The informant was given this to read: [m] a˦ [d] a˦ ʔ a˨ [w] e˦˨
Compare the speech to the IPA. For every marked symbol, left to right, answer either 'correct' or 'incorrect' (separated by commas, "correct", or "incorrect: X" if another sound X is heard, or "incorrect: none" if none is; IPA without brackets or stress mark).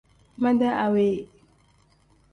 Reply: correct, correct, correct